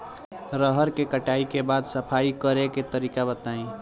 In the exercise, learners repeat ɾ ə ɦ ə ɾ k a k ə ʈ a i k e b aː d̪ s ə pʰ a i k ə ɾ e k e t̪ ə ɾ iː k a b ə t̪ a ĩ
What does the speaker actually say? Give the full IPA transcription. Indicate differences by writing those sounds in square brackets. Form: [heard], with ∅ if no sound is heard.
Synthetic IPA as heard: ɾ ə ɦ ə ɾ k [e] k ə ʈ a i k e b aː d̪ s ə pʰ a i k ə ɾ e k e t̪ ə ɾ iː k a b ə t̪ a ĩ